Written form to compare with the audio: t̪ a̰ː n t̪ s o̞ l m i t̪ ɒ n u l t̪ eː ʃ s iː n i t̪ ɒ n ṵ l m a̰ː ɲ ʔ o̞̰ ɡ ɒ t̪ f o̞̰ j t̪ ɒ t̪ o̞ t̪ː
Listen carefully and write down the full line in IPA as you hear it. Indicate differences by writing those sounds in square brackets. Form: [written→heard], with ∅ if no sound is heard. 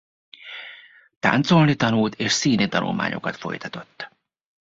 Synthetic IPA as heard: t̪ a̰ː n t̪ s o̞ l [m→n] i t̪ ɒ n u l t̪ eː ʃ s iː n i t̪ ɒ n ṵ l m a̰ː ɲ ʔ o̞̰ [ɡ→k] ɒ t̪ f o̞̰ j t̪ ɒ t̪ o̞ t̪ː